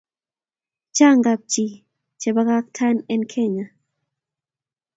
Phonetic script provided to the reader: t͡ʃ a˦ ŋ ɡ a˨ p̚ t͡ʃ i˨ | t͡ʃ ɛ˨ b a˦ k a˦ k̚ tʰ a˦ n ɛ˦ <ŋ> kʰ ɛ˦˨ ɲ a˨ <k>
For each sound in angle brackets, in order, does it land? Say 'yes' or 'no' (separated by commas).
no, no